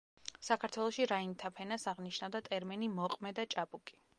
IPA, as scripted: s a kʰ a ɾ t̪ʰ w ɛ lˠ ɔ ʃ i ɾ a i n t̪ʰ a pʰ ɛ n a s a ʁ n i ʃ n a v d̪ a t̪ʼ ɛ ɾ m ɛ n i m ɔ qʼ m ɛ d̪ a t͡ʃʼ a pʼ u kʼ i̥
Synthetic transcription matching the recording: s a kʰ a ɾ t̪ʰ w ɛ lˠ ɔ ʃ i ɾ a i n t̪ʰ a pʰ ɛ n a s a ʁ n i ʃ n a v d̪ a t̪ʼ ɛ ɾ m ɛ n i m ɔ qʼ m ɛ d̪ a t͡ʃʼ a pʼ u kʼ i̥